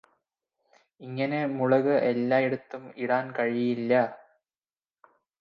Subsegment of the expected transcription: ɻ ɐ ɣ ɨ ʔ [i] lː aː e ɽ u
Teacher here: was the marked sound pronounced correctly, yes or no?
no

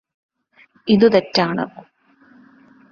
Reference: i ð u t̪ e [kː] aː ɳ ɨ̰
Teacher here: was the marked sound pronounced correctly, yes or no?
no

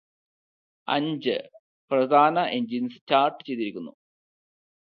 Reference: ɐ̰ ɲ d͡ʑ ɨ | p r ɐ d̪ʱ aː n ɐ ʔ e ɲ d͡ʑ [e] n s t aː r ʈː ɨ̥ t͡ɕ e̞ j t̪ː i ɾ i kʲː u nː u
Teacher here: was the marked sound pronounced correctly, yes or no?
no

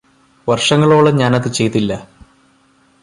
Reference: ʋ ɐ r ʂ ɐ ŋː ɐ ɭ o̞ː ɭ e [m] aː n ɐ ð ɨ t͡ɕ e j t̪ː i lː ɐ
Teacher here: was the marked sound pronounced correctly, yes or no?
no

